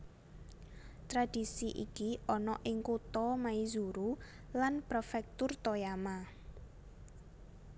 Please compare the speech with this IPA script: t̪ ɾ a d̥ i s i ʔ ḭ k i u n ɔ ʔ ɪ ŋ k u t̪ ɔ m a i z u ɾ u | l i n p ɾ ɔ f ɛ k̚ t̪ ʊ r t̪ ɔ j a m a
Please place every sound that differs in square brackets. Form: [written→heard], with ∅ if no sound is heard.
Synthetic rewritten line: t̪ ɾ a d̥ i s i ʔ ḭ k i [u→ɔ] n ɔ ʔ ɪ ŋ k u t̪ ɔ m a i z u ɾ u | l [i→a] n p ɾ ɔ f ɛ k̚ t̪ ʊ r t̪ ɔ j a m a